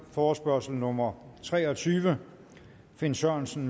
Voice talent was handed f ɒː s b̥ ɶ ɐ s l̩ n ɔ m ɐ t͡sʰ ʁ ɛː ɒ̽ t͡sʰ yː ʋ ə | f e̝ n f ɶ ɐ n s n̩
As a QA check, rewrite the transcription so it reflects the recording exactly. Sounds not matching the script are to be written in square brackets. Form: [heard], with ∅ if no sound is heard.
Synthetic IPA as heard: f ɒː s b̥ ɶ ɐ s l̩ n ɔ m ɐ t͡sʰ ʁ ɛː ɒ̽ t͡sʰ yː ʋ ə | f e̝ n [s] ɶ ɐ n s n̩

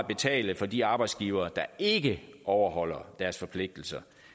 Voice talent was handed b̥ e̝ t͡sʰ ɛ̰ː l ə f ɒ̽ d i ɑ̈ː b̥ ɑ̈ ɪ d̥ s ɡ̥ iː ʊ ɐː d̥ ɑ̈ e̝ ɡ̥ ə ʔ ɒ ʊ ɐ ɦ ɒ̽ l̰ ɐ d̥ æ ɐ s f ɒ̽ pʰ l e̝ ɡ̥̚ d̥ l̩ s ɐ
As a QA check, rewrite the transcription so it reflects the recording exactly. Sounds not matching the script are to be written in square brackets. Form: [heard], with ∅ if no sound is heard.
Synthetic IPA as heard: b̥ e̝ t͡sʰ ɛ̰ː l ə f ɒ̽ d i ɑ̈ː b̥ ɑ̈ ɪ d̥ s ɡ̥ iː ʊ ɐː d̥ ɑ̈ e̝ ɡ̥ ə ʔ ɒ ʊ ɐ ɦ ɒ̽ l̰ ɐ d̥ æ ɐ s f ɒ̽ pʰ l e̝ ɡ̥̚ d̥ l̩ s ɐ

